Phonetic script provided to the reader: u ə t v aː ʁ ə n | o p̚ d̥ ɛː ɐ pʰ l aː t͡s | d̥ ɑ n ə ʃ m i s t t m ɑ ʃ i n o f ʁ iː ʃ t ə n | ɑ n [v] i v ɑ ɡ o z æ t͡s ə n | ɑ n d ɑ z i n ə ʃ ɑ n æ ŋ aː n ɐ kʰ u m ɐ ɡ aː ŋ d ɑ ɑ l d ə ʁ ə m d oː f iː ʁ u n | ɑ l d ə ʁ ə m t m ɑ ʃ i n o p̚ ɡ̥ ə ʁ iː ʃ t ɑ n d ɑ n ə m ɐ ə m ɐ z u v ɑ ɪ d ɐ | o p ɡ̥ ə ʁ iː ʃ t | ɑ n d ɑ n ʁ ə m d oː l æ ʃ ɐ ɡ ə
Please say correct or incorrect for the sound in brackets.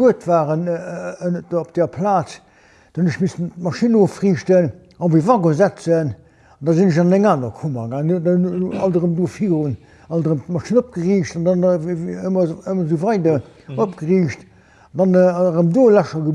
correct